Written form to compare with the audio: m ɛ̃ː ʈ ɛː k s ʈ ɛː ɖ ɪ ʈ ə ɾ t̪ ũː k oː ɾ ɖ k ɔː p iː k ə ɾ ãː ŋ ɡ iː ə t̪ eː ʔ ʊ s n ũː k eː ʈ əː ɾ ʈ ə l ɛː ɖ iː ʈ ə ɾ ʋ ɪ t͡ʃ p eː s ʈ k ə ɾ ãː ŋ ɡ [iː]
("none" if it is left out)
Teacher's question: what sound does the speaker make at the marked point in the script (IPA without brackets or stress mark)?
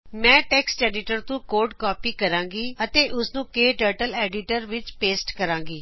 iː